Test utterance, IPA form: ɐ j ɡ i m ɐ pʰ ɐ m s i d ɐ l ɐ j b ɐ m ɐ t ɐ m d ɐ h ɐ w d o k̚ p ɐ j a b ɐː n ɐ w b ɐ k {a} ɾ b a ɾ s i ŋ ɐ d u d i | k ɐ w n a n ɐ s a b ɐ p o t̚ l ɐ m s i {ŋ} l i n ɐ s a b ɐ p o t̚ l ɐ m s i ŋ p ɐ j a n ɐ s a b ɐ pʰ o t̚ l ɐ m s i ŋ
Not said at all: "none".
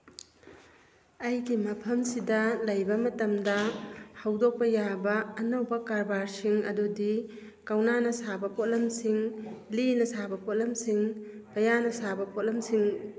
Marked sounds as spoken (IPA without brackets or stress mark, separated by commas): a, ŋ